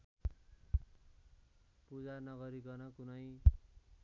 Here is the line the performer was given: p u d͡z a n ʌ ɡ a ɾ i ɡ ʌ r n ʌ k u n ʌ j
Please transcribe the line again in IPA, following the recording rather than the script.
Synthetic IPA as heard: p u d͡z a n ʌ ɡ ʌ ɾ i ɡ ʌ r n ʌ k u n ʌ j